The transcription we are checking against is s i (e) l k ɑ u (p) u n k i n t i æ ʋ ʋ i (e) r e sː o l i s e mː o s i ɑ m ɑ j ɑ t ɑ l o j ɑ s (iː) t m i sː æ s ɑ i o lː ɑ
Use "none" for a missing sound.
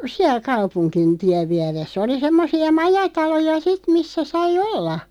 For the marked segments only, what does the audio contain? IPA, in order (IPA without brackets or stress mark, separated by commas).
æ, p, æ, i